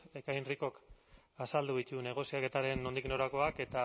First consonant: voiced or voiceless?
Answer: voiceless